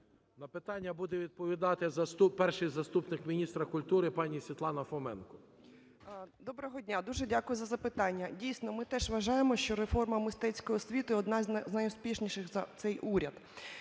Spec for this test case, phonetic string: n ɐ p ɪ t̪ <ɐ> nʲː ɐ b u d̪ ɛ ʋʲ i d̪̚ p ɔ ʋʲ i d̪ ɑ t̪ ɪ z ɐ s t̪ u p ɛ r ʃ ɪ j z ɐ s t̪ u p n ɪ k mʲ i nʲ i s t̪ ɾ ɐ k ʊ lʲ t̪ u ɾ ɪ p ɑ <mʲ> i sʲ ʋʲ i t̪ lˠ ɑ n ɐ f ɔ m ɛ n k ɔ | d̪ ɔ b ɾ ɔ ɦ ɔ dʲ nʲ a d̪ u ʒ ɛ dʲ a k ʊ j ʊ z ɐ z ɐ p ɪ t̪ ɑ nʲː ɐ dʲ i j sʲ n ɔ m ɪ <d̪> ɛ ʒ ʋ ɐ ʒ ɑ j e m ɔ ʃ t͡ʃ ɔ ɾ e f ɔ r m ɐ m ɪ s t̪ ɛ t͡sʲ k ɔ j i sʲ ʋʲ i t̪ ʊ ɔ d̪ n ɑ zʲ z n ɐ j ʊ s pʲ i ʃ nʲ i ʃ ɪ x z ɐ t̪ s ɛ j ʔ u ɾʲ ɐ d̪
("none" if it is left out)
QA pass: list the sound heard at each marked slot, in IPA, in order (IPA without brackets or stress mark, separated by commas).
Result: ɑ, nʲ, t̪